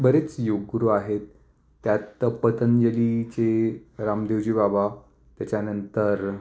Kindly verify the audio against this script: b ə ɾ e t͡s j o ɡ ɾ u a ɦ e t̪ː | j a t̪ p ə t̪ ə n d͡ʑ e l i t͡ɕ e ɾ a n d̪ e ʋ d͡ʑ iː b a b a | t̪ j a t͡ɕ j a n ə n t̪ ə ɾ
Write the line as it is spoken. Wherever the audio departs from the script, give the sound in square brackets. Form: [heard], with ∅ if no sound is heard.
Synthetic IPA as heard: b ə ɾ e t͡s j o ɡ ɾ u a ɦ e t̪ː | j a t̪ p ə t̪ ə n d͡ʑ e l i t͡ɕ e ɾ a [m] d̪ e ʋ d͡ʑ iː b a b a | t̪ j a t͡ɕ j a n ə n t̪ ə ɾ

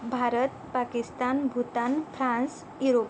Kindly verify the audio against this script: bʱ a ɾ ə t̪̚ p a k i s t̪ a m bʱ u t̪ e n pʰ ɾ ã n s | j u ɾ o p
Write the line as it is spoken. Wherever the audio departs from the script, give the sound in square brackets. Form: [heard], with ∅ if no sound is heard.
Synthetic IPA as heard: bʱ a ɾ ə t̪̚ p a k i s t̪ a [n] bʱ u t̪ [a] n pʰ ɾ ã n s | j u ɾ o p

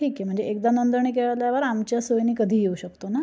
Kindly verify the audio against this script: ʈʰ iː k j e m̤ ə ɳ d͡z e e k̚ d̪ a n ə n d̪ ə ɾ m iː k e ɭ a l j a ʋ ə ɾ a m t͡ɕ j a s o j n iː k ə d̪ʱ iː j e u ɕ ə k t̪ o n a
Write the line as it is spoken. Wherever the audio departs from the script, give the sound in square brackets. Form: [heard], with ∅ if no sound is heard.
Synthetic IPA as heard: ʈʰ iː k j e m̤ ə ɳ d͡z e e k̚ d̪ a n ə n d̪ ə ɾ [ɳ] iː k e ɭ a l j a ʋ ə ɾ a m t͡ɕ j a s o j n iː k ə d̪ʱ iː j e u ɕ ə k t̪ o n a

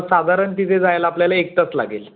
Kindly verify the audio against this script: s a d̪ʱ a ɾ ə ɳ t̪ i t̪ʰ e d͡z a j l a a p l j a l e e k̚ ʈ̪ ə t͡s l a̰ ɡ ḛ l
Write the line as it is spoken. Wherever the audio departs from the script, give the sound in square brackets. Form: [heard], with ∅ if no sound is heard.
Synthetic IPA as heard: s a d̪ʱ a ɾ ə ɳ t̪ i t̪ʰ e d͡z a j l a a p l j a l [a] e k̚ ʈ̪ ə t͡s l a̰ ɡ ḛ l

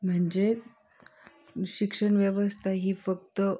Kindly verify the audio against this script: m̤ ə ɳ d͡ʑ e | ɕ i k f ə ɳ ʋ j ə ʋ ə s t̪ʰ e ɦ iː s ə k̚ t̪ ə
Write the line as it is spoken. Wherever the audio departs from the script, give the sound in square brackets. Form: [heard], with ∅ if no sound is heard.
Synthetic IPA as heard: m̤ ə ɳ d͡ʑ e | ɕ i k [ʂ] ə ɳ ʋ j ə ʋ ə s t̪ʰ [a] ɦ iː [f] ə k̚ t̪ ə

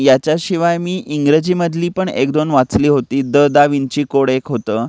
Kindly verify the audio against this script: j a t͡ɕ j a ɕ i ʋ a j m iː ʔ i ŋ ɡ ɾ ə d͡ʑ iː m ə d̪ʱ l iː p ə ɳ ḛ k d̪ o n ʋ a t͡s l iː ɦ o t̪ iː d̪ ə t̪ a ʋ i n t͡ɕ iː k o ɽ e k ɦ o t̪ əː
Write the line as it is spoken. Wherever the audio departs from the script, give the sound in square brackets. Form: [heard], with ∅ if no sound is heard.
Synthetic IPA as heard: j a t͡ɕ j a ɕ i ʋ a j m iː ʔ i ŋ ɡ ɾ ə d͡ʑ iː m ə d̪ʱ l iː p ə ɳ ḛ k d̪ o n ʋ a t͡s l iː ɦ o t̪ iː d̪ ə [d̪] a ʋ i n t͡ɕ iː k o ɽ e k ɦ o t̪ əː

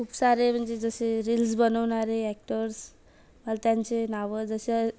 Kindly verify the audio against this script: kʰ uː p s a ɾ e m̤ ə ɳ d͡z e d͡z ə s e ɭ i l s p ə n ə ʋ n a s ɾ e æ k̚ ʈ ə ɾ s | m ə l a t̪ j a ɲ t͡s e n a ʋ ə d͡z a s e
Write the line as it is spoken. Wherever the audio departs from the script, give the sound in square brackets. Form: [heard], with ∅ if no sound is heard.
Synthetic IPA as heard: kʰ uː p s a ɾ e m̤ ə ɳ d͡z e d͡z ə s e [ɾ] i l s [b] ə n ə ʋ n a [∅] ɾ e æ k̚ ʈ ə ɾ s | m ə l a t̪ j a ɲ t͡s e n a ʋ ə d͡z [ə] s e

